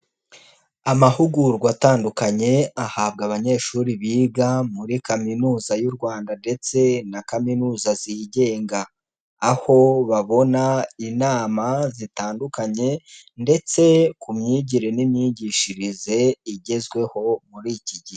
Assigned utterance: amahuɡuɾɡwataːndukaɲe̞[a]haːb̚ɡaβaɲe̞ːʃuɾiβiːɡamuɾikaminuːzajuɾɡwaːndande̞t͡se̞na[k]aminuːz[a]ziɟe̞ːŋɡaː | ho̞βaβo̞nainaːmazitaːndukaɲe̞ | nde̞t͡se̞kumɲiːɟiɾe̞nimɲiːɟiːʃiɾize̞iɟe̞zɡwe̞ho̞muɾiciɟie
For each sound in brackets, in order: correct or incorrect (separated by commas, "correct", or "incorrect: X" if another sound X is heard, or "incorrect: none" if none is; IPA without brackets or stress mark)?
correct, correct, correct